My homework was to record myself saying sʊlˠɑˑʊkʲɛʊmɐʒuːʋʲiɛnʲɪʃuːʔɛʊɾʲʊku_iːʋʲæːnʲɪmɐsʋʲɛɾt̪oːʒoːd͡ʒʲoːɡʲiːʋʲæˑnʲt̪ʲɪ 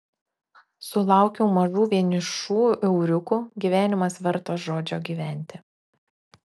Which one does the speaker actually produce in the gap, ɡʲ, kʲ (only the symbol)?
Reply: ɡʲ